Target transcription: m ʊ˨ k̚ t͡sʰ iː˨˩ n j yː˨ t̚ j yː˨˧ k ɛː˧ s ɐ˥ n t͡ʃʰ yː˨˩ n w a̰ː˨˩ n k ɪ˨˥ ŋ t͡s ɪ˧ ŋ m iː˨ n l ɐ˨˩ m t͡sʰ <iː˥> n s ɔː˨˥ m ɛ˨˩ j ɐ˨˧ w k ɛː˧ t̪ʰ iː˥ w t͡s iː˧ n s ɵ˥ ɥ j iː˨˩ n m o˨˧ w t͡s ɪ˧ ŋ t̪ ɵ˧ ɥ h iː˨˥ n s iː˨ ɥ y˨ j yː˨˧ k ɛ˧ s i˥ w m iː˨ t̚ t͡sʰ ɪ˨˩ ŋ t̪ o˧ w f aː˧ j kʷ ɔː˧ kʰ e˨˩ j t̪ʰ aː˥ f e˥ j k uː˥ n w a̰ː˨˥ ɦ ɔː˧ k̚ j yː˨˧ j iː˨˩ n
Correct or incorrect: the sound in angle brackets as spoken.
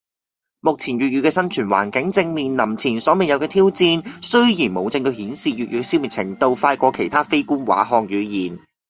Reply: incorrect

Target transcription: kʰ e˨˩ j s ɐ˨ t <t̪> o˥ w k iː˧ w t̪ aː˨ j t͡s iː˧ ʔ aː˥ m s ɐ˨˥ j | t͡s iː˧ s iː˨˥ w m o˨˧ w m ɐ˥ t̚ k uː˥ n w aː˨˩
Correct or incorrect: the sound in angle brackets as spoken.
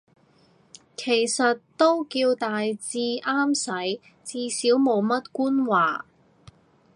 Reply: correct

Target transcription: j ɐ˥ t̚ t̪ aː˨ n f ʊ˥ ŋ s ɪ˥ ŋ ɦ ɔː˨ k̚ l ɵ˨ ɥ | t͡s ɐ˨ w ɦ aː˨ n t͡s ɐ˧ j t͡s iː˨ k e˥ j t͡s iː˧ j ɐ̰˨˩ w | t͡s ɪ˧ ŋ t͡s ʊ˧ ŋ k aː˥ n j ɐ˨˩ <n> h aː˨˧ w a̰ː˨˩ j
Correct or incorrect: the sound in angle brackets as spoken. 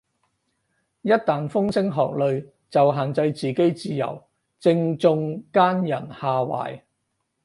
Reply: correct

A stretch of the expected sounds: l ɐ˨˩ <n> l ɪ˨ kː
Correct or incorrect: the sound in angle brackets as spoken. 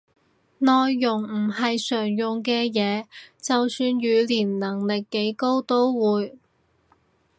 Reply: incorrect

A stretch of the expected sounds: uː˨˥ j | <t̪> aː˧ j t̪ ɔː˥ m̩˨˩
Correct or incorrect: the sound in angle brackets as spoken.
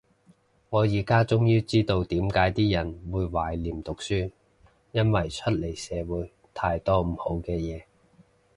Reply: incorrect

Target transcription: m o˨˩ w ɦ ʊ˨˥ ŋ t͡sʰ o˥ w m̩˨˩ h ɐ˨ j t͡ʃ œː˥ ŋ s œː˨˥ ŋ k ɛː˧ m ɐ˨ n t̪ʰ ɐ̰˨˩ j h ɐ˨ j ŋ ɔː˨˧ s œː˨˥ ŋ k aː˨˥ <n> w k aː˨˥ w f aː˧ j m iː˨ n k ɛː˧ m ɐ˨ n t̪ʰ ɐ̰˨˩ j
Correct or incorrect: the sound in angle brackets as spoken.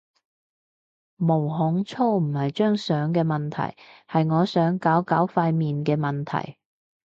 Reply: incorrect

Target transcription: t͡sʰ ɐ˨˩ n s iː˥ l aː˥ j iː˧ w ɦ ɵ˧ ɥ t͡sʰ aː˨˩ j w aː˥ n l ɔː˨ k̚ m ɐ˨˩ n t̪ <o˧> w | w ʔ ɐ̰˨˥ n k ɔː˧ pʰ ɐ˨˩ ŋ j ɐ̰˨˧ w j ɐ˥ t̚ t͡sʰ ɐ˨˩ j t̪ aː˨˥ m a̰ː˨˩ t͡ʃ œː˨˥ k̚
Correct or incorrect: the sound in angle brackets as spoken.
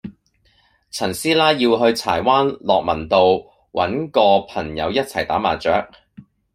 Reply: correct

